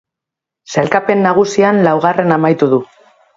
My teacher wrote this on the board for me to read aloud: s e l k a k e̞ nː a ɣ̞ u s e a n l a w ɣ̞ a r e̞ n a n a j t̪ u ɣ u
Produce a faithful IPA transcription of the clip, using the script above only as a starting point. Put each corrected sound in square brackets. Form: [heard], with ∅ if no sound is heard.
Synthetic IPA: s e l k a [p] e̞ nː a ɣ̞ u s [i] a n l a w ɣ̞ a r e̞ n a [m] a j t̪ u [ð] u